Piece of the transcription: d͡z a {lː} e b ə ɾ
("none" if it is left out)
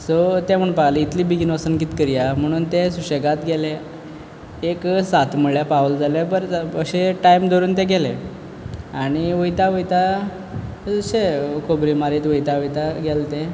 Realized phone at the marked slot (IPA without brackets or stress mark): l